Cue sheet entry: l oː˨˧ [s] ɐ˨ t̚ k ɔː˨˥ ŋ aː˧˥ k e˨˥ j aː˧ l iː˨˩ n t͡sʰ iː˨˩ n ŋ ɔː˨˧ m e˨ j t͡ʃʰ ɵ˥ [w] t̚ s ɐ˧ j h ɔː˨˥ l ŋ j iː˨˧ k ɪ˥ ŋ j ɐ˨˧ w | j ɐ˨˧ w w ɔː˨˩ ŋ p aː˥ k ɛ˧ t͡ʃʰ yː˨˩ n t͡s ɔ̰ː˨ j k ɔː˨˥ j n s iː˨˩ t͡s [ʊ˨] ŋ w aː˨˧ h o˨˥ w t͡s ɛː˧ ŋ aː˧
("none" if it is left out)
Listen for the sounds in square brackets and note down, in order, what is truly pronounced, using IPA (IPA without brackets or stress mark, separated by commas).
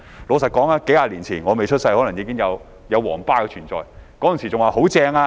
s, none, ʊ˨